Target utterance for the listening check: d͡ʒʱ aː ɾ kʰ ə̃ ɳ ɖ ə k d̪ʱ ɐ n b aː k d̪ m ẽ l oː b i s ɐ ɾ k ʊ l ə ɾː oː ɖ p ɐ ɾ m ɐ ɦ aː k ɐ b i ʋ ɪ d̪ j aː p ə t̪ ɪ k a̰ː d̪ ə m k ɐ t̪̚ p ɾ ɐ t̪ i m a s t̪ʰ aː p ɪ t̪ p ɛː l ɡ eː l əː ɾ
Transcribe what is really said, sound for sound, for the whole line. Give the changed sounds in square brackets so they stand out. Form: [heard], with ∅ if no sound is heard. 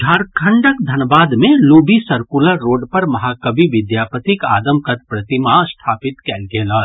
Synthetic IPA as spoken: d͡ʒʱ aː ɾ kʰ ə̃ ɳ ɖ ə k d̪ʱ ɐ n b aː [∅] d̪ m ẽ l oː b i s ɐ ɾ k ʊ l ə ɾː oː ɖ p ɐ ɾ m ɐ ɦ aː k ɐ b i ʋ ɪ d̪ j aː p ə t̪ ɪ k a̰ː d̪ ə m k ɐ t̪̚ p ɾ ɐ t̪ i m a s t̪ʰ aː p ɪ t̪ [k] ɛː l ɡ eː l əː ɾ